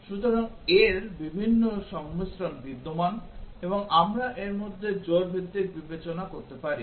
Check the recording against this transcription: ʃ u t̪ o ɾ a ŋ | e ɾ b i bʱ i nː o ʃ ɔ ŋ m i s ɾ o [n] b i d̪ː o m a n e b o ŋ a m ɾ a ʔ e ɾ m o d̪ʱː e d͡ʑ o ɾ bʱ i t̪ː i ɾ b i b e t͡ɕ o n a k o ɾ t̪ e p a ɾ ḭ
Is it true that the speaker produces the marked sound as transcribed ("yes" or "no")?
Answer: yes